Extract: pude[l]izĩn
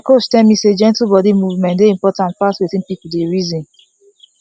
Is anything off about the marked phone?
yes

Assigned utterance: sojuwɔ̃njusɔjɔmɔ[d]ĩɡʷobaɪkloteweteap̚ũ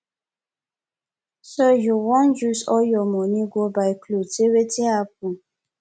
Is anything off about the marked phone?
yes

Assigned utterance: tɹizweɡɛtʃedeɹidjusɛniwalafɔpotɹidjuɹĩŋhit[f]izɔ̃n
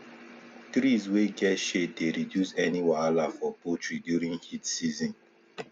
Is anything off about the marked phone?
yes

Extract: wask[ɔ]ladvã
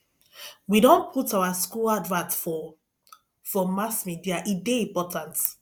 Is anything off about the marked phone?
yes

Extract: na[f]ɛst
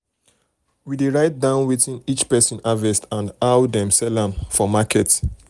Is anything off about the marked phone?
yes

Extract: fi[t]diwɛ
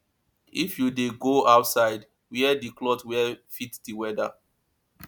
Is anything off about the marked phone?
no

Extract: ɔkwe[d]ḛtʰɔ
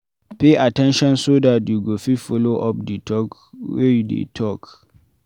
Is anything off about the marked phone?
no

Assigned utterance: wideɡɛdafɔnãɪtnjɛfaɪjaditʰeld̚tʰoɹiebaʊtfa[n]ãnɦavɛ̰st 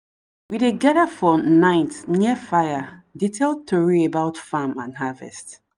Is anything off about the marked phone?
yes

